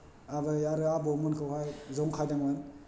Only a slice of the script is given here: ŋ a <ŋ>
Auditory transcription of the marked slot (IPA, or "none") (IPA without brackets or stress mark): n